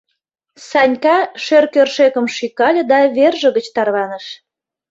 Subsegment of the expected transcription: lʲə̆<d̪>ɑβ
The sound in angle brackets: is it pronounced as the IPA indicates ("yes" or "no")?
yes